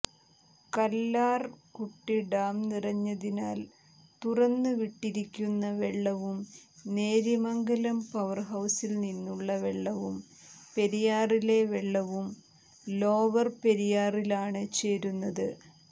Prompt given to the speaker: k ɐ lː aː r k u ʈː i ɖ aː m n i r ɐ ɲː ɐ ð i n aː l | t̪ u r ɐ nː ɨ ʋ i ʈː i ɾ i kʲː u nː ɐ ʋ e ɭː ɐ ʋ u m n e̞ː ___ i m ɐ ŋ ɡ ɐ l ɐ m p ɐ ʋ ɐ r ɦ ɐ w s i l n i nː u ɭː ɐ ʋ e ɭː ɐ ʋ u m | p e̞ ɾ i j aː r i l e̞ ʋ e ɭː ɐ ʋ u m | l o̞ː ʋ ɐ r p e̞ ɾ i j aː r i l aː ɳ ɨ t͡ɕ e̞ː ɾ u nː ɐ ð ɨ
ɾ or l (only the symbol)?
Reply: ɾ